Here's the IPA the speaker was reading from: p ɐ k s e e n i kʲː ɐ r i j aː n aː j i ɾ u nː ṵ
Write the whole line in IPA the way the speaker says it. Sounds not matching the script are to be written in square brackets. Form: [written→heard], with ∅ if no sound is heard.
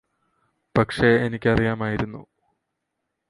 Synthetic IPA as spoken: p ɐ k [s→ʂ] e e n i kʲː ɐ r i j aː [n→m] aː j i ɾ u nː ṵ